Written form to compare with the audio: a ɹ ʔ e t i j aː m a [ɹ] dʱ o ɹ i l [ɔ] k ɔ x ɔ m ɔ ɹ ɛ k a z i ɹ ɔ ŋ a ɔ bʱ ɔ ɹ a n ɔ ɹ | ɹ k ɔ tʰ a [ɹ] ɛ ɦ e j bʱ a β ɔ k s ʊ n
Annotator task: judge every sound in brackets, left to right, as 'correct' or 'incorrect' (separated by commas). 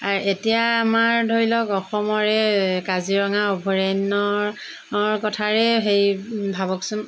correct, correct, correct